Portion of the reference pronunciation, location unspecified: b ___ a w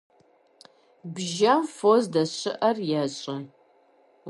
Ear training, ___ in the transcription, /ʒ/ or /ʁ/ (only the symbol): ʒ